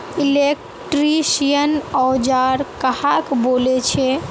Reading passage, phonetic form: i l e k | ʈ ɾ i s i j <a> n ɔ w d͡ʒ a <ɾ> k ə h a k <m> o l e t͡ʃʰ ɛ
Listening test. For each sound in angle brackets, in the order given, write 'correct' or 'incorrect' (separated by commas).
incorrect, correct, incorrect